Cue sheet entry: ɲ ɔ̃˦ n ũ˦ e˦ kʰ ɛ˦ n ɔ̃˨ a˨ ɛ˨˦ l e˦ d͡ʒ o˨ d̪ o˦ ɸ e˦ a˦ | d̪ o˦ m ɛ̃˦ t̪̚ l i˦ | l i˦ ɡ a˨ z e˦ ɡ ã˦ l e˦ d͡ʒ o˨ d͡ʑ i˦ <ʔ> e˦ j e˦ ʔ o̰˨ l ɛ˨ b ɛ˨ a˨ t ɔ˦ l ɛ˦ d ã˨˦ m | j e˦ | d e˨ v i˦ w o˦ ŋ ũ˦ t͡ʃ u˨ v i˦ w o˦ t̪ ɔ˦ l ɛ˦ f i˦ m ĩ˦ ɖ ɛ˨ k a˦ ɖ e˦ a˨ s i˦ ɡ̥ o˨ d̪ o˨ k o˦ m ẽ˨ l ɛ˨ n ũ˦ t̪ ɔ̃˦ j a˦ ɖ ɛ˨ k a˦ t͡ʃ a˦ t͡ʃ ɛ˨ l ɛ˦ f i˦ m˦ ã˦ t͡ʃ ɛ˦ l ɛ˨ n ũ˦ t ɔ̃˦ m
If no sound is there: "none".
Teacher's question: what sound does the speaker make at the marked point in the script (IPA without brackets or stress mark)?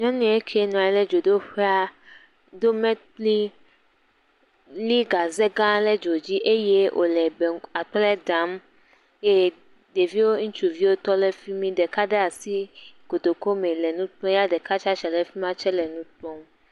ʔ